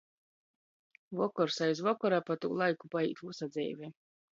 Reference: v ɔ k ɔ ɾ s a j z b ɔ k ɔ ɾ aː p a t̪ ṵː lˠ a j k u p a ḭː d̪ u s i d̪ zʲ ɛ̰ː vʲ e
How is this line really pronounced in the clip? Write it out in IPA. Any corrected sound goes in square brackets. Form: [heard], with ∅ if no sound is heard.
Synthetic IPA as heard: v ɔ k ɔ ɾ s a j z [v] ɔ k ɔ ɾ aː p a t̪ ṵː lˠ a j k u p a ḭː [t̪] u s [a] d̪ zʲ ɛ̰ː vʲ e